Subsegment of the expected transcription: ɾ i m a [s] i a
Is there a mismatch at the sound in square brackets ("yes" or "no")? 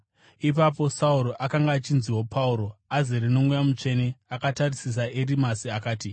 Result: no